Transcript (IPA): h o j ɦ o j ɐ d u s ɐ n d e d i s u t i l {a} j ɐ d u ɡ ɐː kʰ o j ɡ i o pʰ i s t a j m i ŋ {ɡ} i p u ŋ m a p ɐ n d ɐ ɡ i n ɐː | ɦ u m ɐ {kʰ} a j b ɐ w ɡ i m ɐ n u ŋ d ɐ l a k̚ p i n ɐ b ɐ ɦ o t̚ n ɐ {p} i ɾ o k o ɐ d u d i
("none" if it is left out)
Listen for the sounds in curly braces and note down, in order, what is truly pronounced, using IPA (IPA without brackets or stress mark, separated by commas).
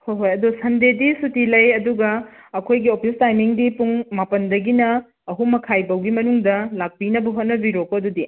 ɐ, d, kʰ, b